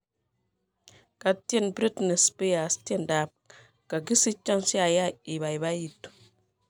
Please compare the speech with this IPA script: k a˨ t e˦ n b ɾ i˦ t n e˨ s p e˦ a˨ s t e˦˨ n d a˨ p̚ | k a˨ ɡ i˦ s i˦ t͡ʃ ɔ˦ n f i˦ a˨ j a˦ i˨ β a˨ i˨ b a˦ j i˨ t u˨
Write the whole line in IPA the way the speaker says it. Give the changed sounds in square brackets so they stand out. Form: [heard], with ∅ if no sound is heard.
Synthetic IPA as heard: k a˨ t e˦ n b ɾ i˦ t n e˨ s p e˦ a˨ s t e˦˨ n d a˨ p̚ | k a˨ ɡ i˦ s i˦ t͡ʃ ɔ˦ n [s] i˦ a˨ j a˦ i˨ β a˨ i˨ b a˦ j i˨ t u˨

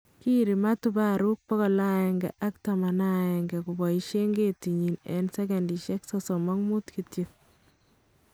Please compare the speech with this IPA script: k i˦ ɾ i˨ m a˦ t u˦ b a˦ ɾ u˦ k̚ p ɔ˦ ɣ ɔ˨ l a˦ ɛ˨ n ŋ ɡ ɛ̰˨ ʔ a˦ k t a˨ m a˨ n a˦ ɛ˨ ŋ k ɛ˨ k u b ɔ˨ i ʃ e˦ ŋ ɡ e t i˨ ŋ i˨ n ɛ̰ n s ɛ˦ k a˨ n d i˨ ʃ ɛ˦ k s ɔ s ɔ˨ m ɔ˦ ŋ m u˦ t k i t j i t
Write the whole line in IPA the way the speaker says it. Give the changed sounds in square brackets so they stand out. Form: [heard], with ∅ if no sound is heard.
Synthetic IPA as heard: k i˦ ɾ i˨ m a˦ t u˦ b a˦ ɾ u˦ k̚ p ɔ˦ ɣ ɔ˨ l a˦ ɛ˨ [∅] ŋ ɡ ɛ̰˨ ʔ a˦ k t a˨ m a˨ n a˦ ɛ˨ ŋ [ɡ] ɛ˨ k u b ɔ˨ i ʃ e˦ ŋ ɡ e t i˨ [ɲ] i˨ n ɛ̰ n s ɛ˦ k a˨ n d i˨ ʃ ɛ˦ k s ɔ s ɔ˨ m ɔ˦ ŋ m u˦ t k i t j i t

